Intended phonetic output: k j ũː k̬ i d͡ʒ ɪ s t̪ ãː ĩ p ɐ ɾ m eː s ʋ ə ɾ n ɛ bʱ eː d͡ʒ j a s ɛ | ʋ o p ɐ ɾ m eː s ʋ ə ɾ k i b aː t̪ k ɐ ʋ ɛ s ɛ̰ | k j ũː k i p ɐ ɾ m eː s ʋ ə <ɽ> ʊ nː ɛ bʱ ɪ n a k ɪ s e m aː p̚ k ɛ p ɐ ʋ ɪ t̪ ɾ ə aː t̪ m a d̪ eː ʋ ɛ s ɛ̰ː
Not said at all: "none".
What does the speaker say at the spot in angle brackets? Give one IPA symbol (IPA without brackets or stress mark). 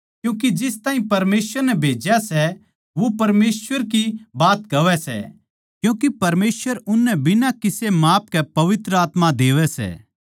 ɾ